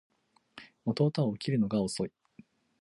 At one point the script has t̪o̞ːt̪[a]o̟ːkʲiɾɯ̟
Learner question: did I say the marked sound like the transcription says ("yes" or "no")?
yes